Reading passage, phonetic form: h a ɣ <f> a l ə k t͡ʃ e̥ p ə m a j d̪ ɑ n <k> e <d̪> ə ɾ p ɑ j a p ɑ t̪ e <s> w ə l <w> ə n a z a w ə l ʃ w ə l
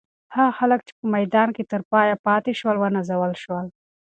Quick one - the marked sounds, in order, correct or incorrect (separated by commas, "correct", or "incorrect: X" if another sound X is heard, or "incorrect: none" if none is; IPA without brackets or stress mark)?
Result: incorrect: x, correct, incorrect: t̪, incorrect: ʃ, correct